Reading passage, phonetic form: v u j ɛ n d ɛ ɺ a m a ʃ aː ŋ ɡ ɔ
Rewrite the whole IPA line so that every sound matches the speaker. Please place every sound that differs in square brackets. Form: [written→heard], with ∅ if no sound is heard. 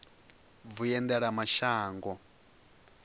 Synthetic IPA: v u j ɛ n d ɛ ɺ a m a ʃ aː ŋ ɡ ɔ